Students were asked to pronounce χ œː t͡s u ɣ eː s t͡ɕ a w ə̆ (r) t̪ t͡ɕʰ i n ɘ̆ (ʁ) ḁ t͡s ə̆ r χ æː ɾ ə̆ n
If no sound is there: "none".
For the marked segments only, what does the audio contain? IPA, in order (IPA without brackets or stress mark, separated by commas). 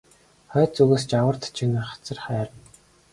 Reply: r, χ